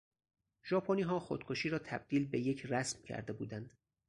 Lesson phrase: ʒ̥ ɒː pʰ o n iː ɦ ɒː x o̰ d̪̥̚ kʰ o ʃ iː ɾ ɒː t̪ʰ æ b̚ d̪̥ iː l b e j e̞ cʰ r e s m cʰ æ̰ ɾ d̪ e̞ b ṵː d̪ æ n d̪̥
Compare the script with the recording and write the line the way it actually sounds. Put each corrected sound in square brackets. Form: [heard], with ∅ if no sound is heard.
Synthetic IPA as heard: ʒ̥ ɒː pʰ o n iː ɦ ɒː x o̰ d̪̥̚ kʰ o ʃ iː ɾ ɒː t̪ʰ æ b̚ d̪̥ iː l b e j e̞ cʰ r [æ] s m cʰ æ̰ ɾ d̪ e̞ b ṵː d̪ æ n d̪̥